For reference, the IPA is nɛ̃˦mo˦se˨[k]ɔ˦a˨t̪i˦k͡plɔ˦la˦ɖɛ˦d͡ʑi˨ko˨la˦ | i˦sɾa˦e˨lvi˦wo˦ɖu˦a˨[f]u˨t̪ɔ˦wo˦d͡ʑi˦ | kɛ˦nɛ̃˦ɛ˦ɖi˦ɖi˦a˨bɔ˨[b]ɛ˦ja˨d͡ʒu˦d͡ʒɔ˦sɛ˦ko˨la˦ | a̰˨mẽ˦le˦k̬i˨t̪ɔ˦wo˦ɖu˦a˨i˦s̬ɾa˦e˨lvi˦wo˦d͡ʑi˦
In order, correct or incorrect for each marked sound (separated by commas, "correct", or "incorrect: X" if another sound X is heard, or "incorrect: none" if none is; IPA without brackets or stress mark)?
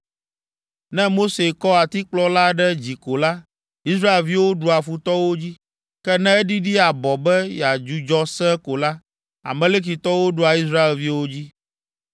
correct, correct, correct